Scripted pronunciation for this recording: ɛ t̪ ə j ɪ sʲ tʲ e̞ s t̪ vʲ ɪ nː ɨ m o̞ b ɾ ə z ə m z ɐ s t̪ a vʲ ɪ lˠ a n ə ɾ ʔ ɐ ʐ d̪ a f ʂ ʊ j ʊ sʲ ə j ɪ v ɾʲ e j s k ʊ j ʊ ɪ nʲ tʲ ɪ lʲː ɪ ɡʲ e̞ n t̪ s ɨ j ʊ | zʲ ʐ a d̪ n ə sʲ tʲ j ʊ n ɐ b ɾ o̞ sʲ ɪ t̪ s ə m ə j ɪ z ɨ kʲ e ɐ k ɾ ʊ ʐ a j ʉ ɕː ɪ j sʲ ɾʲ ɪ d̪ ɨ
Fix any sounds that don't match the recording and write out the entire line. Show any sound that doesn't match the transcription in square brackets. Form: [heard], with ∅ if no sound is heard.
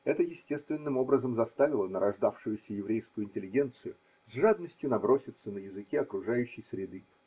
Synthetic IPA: ɛ t̪ ə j ɪ sʲ tʲ e̞ s t̪ vʲ ɪ nː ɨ m o̞ b ɾ ə z ə m z ɐ s t̪ a vʲ ɪ lˠ [ə] n ə ɾ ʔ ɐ ʐ d̪ a f ʂ ʊ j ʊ sʲ ə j ɪ v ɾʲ e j s k ʊ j ʊ ɪ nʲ tʲ ɪ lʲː ɪ ɡʲ e̞ n t̪ s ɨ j ʊ | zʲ ʐ a d̪ n ə sʲ tʲ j ʊ n ɐ b ɾ o̞ sʲ ɪ t̪ s ə [n] ə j ɪ z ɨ kʲ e ɐ k ɾ ʊ ʐ a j ʉ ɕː ɪ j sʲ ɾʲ ɪ d̪ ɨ